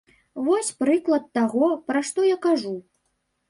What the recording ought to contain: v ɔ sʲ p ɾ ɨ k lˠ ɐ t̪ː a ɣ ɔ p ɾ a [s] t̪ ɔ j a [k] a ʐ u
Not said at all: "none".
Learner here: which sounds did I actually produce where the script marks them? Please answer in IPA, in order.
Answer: ʂ, k

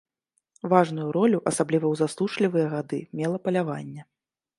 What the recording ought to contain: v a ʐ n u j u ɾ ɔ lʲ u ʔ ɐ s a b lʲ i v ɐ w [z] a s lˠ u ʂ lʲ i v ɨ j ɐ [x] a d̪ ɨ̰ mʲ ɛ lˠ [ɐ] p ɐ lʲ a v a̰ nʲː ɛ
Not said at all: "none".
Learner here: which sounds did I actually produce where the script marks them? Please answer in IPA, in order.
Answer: z, ɣ, ɐ

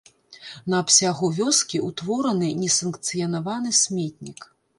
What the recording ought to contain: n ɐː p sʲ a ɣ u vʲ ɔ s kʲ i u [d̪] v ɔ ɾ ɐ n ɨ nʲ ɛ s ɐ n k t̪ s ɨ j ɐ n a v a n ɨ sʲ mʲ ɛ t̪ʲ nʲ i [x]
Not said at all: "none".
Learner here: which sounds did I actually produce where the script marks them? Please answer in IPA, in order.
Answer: t̪, k

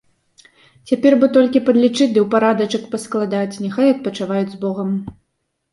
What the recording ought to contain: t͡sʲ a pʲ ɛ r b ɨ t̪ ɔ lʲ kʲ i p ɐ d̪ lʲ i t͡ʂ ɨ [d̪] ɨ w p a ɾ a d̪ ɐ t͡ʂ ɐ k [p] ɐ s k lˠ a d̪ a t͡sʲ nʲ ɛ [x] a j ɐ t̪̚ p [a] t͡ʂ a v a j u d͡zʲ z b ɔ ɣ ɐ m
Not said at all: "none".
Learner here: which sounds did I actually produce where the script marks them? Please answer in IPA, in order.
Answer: d̪, p, x, ɐ

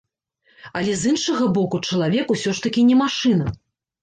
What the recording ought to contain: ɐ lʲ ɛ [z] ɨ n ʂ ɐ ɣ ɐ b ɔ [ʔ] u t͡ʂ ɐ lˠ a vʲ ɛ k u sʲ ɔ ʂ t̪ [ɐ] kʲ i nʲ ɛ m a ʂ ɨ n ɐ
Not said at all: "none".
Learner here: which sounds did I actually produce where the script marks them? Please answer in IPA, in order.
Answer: z, k, ɐ

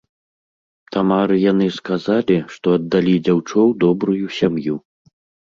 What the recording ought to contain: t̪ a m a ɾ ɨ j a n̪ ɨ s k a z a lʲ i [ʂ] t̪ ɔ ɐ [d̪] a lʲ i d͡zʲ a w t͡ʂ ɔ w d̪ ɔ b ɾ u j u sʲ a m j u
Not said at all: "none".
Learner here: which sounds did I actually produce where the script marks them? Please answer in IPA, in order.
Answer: ʂ, d̪ː

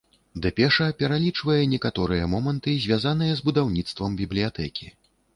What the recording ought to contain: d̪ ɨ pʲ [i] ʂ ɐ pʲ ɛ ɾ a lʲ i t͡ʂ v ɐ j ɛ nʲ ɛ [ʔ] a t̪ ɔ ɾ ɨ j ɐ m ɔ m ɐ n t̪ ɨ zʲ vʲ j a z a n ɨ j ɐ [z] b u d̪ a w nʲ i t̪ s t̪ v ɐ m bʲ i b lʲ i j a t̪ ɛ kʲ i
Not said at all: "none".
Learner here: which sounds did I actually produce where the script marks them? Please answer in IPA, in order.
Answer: ɛ, k, z

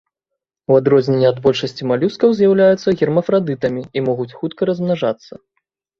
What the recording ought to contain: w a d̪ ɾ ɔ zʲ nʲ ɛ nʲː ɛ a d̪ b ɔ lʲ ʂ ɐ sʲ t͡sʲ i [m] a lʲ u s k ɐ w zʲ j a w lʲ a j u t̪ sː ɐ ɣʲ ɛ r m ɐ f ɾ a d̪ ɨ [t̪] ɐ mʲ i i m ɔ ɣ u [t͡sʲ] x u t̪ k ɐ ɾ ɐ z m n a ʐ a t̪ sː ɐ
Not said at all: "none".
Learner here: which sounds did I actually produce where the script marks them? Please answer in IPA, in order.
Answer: m, t̪, t͡sʲ

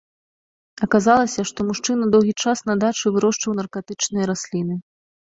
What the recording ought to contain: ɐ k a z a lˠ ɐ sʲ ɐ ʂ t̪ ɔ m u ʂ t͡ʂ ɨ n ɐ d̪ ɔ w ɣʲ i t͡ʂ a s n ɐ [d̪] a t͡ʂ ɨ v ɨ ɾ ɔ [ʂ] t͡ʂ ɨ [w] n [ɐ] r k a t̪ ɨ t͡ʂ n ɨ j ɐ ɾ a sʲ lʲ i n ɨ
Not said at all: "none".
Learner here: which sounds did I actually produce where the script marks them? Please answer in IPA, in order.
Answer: d̪, ʂ, w, ɐ

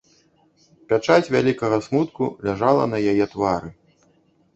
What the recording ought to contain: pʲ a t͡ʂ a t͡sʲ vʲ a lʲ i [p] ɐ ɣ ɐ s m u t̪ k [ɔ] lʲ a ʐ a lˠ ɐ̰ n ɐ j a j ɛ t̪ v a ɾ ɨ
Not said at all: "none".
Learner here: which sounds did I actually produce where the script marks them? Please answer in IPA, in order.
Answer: k, u

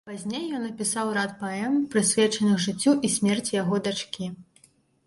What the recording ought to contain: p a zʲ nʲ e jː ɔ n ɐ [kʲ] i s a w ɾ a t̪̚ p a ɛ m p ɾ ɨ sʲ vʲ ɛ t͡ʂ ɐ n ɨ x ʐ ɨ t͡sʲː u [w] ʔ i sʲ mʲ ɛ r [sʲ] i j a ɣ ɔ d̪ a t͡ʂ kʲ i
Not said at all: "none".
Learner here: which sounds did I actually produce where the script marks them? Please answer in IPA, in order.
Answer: pʲ, none, t͡sʲ

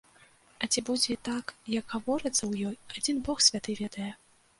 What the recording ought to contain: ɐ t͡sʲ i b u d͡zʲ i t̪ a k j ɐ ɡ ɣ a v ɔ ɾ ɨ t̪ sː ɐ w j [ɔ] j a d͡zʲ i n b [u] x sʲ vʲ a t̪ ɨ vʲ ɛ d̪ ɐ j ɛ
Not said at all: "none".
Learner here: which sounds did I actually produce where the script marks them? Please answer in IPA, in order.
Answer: ɔ, ɔ

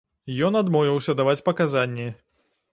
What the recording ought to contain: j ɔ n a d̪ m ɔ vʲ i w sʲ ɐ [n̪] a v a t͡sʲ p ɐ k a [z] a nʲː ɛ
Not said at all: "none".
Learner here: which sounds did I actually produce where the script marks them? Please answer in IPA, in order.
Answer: d̪, z

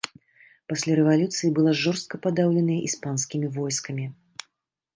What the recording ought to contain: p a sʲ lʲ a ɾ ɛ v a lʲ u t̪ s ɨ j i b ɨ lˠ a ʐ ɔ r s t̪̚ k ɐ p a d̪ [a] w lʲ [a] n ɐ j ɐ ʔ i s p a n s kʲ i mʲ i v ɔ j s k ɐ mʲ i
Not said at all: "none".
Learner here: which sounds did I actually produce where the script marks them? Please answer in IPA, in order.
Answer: a, ɛ

